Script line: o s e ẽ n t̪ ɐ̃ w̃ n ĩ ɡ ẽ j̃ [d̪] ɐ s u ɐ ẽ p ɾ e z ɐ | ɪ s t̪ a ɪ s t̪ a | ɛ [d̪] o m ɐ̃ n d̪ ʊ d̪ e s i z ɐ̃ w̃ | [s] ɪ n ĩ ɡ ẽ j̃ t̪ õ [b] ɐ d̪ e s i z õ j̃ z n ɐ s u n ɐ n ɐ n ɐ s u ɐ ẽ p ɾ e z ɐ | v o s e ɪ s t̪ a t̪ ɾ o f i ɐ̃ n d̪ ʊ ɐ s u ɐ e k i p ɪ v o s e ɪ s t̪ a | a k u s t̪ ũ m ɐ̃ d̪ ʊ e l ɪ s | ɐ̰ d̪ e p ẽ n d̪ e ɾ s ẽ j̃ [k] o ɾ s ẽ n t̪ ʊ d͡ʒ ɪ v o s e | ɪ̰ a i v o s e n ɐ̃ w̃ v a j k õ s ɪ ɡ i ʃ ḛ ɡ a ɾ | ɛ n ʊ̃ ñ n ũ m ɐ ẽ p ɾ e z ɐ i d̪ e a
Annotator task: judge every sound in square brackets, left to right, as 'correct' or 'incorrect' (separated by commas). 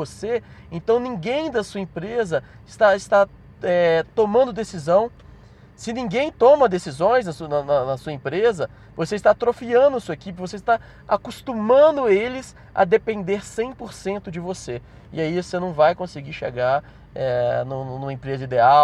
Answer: correct, incorrect, correct, incorrect, incorrect